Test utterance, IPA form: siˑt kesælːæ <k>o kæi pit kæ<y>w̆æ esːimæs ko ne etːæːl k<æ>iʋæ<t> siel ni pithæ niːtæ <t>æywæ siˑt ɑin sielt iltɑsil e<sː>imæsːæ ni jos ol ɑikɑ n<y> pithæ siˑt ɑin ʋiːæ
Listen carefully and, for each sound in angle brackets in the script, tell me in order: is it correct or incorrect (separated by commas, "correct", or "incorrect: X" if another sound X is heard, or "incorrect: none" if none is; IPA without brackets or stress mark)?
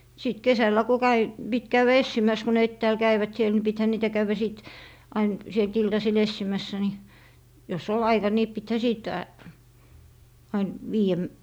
correct, correct, correct, correct, incorrect: k, correct, incorrect: i